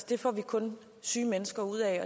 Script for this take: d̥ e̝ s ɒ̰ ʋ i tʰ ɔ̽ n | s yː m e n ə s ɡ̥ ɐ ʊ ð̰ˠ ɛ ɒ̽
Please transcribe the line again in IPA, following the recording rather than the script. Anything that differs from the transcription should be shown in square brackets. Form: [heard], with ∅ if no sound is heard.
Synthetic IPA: d̥ e̝ [f] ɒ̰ ʋ i [kʰ] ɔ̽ n | s yː m e n ə s ɡ̥ ɐ [u] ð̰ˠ ɛ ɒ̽